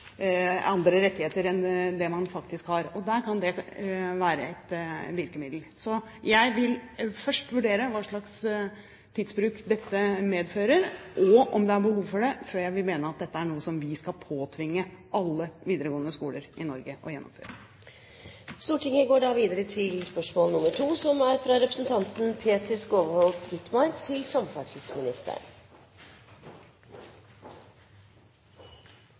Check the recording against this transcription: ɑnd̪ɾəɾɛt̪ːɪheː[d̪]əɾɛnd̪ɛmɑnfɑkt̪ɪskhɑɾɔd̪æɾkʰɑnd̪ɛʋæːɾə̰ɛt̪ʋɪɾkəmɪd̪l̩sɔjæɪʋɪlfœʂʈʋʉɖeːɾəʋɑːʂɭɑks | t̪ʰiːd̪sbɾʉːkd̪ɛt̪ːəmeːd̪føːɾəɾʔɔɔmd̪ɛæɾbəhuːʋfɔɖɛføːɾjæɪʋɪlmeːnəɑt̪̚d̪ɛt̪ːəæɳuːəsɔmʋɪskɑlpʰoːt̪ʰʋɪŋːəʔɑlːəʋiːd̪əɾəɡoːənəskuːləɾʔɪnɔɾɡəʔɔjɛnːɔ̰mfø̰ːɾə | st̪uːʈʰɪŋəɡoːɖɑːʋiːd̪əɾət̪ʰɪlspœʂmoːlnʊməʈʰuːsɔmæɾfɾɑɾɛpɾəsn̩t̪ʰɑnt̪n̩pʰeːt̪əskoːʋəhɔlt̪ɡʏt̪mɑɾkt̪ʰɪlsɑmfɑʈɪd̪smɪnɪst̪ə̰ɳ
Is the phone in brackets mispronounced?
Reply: yes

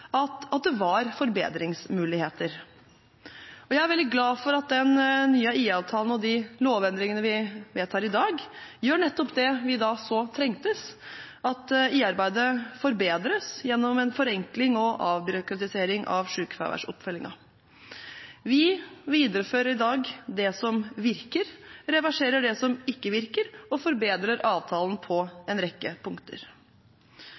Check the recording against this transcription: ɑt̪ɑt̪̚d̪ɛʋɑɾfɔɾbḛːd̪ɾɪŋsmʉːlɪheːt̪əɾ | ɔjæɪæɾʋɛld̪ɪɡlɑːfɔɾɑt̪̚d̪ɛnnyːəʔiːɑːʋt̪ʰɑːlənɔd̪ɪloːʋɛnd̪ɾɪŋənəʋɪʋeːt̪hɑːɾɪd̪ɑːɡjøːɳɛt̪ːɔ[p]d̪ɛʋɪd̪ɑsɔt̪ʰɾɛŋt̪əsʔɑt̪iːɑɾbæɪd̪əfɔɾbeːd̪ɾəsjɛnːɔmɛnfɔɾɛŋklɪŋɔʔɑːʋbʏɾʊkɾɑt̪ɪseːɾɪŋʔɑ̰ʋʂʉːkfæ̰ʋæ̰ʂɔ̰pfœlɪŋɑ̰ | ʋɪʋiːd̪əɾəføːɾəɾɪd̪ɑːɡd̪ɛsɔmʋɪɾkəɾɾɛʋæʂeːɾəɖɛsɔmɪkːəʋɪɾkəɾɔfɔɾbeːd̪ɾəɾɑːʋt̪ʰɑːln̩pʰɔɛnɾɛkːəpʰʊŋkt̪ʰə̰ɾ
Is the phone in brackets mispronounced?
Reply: no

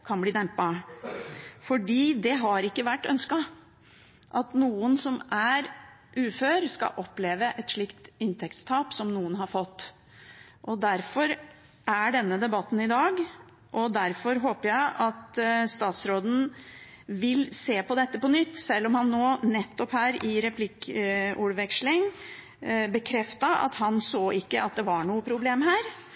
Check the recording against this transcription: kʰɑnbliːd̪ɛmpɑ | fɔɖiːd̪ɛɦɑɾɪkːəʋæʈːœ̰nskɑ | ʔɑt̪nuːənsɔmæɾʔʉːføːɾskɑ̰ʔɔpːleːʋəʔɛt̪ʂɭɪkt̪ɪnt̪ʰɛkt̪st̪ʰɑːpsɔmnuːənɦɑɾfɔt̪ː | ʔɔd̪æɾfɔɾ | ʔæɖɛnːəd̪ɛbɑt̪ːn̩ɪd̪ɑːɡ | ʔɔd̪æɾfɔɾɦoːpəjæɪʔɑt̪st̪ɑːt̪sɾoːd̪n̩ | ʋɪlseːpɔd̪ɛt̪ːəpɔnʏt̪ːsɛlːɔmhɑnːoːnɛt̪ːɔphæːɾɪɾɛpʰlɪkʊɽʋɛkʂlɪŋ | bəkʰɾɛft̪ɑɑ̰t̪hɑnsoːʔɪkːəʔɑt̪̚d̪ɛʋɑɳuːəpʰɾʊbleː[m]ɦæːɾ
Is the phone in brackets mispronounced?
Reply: no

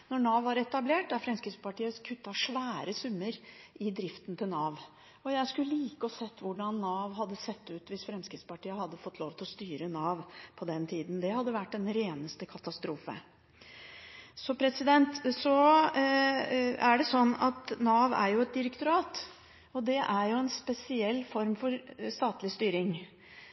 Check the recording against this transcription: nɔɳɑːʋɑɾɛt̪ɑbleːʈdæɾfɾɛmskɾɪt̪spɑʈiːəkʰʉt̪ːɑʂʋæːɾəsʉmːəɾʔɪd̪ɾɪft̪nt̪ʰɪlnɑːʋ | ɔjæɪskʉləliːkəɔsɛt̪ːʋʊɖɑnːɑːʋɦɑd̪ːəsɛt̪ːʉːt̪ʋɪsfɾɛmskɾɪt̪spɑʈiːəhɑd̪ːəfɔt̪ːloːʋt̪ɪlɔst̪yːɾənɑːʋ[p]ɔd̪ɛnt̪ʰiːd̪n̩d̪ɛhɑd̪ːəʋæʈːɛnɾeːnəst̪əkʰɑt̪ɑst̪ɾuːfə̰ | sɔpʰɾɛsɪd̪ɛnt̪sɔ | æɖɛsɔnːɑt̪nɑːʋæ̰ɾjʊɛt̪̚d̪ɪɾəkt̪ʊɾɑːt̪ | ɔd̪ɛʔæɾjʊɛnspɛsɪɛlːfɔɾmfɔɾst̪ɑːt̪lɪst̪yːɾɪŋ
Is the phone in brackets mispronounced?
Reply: yes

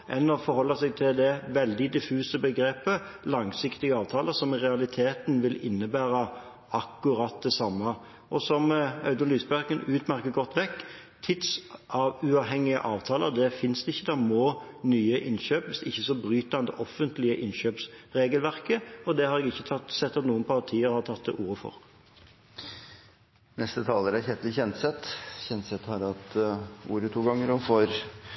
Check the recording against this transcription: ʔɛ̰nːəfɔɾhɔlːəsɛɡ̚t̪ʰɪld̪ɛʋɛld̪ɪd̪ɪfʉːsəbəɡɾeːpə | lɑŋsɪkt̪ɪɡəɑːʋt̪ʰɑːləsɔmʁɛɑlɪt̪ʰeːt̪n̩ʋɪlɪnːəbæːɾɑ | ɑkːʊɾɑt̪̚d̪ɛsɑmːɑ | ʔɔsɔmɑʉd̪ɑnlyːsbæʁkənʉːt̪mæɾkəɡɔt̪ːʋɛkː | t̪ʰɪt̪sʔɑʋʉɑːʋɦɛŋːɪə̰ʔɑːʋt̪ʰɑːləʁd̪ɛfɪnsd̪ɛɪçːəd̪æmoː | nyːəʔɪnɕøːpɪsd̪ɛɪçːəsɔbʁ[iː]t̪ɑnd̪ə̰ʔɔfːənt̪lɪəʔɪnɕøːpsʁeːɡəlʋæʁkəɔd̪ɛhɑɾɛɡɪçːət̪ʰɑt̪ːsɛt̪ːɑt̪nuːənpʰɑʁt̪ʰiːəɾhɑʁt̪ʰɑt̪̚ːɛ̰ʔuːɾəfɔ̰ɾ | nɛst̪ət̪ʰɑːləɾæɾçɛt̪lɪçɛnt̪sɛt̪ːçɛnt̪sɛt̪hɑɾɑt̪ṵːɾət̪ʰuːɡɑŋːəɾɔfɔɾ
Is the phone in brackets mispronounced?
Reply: yes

